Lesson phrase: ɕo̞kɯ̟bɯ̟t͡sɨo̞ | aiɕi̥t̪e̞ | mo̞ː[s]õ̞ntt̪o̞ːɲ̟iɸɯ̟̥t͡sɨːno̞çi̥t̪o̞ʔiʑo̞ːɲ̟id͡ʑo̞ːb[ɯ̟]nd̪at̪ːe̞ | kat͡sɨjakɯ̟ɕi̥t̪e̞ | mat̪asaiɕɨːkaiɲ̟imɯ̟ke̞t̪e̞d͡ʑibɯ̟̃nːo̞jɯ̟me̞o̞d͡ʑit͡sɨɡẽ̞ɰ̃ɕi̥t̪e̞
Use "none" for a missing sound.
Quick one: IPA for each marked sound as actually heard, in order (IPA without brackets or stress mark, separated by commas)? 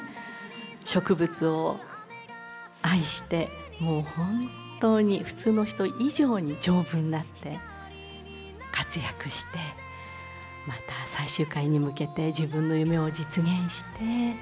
h, ɯ̟̃